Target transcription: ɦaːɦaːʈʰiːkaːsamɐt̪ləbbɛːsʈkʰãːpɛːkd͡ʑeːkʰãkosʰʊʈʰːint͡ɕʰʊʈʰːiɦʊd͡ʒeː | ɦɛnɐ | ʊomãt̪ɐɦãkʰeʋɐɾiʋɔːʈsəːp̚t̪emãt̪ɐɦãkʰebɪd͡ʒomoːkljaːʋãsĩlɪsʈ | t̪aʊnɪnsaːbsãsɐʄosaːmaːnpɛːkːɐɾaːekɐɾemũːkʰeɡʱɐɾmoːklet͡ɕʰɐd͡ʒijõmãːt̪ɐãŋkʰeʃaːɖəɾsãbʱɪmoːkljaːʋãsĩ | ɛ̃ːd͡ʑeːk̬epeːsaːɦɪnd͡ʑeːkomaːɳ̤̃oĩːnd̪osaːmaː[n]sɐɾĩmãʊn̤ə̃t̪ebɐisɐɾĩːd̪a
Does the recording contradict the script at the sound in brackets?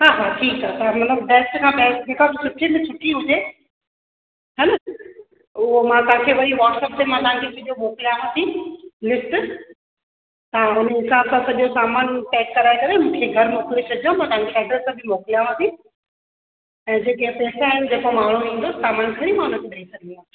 no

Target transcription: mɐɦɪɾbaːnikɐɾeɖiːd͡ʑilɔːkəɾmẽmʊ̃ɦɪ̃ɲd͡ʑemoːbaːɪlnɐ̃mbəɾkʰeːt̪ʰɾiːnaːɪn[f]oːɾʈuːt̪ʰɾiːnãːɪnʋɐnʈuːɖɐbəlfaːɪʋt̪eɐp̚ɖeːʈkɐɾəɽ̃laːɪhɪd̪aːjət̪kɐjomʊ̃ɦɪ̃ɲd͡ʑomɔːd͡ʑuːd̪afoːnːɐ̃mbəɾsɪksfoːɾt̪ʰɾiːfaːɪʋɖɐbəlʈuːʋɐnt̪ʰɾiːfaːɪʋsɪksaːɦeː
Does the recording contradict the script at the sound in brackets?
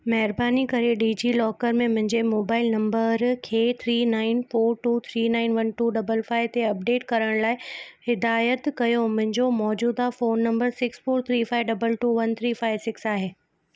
no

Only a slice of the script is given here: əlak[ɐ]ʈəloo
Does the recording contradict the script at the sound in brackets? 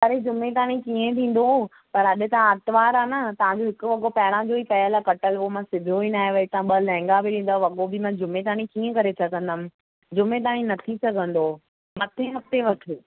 no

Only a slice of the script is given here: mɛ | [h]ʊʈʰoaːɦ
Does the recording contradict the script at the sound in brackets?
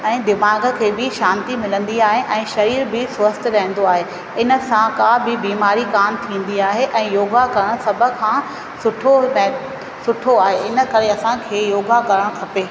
yes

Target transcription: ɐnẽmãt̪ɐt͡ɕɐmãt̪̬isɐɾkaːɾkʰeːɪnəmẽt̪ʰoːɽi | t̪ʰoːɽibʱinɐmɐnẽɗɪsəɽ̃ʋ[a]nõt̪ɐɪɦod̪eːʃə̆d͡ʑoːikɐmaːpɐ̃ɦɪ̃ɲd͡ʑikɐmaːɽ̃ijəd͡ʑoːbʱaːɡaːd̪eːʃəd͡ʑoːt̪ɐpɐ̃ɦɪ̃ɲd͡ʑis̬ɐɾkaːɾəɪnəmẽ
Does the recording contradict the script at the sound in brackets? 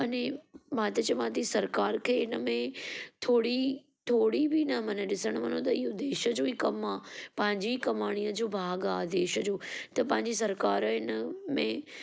yes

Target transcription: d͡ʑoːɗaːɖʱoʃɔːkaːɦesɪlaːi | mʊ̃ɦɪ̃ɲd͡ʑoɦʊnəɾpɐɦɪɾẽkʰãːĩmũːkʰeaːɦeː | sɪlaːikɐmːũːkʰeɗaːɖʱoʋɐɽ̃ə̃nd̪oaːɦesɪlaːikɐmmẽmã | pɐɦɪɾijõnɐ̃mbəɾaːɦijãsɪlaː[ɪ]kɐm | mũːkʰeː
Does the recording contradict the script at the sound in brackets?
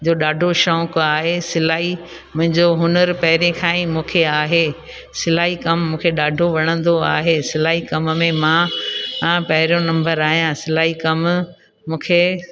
yes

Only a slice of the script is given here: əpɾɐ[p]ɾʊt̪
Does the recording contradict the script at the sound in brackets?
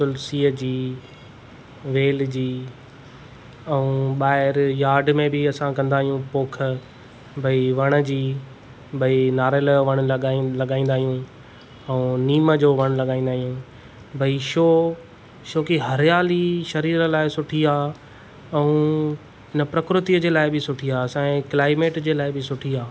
yes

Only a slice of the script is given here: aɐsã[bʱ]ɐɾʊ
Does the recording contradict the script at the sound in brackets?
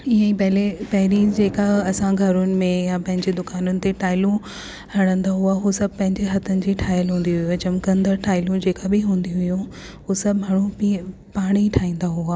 yes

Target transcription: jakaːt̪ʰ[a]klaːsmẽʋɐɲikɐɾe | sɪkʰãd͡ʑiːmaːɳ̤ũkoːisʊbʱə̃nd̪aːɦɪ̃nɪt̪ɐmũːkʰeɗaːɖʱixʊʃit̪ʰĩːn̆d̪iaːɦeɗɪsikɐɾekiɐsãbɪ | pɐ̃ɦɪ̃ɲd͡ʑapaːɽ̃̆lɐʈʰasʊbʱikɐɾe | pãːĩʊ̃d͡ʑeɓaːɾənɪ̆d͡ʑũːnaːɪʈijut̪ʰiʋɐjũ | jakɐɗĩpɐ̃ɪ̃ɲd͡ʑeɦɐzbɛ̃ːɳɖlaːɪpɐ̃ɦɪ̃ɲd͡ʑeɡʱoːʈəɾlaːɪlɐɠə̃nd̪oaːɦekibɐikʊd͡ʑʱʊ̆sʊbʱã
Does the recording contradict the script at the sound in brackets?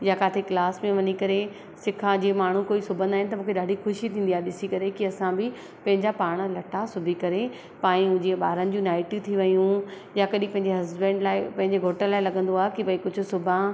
yes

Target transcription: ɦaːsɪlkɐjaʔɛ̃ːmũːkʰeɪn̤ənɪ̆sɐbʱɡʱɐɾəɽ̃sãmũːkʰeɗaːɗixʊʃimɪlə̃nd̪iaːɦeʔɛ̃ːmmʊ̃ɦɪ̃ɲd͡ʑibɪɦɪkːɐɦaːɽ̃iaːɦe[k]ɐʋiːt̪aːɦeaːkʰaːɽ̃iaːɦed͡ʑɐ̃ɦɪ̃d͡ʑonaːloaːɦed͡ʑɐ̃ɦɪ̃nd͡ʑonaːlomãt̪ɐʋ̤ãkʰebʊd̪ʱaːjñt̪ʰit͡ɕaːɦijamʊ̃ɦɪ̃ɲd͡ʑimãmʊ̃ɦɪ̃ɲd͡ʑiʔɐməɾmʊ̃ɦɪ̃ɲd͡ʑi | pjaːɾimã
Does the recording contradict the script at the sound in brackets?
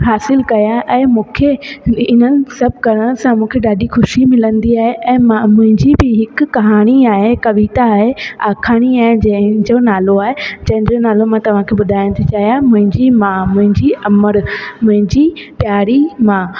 no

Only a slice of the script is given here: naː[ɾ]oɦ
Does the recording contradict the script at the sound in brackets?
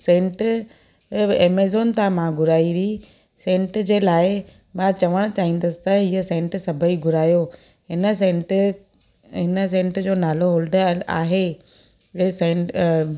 yes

